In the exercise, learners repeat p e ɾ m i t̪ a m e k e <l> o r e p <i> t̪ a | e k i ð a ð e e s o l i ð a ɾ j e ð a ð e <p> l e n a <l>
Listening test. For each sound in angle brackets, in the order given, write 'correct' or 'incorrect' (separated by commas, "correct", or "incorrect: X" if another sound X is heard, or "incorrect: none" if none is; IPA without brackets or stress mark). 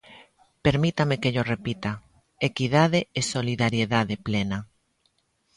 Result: incorrect: ʎ, correct, correct, incorrect: none